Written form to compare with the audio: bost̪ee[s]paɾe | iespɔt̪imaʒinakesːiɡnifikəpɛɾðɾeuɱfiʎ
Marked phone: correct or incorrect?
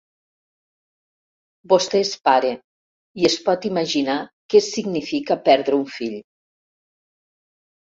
correct